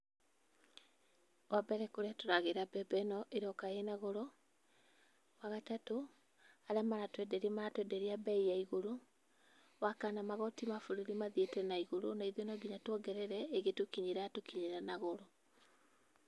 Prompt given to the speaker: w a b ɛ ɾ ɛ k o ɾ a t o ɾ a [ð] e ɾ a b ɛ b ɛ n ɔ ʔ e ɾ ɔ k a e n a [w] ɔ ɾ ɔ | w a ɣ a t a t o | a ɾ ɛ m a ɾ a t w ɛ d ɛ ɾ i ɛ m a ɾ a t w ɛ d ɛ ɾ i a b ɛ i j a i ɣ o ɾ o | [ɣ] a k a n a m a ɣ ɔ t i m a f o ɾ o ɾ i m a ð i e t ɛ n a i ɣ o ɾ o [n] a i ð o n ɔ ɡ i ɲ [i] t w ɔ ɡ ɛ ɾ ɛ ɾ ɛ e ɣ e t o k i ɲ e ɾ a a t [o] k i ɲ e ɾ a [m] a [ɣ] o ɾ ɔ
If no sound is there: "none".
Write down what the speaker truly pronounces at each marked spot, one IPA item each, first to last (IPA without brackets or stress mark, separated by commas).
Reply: ɣ, ɣ, w, n, a, o, n, ɣ